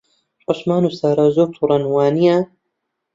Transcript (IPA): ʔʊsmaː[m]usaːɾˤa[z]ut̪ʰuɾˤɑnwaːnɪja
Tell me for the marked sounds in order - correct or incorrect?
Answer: incorrect, correct

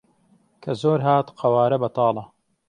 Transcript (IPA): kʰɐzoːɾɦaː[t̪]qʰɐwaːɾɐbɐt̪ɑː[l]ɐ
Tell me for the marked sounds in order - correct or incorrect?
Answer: correct, correct

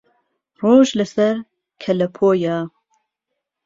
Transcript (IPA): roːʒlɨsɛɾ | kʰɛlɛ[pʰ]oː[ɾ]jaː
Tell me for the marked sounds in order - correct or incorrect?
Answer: correct, incorrect

